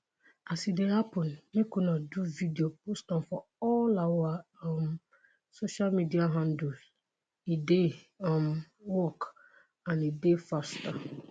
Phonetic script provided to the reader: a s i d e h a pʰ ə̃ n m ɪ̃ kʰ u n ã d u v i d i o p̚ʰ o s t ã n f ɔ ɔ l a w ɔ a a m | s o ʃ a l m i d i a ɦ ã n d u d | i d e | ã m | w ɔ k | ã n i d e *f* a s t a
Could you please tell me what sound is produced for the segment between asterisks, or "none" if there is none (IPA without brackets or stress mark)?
f